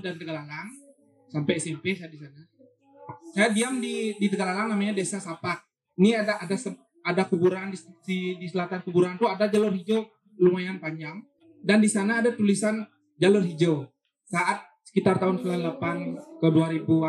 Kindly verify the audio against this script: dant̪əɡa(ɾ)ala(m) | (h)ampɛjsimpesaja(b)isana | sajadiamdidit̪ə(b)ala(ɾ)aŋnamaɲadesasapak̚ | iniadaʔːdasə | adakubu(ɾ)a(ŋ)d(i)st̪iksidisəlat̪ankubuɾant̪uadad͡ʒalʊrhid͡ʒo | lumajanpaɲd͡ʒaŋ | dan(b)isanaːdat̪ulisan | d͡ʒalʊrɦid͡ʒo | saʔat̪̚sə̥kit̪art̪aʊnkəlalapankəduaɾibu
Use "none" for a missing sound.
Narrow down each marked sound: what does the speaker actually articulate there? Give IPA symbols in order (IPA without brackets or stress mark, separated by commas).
l, ŋ, s, d, ɡ, l, ɾ, n, i, d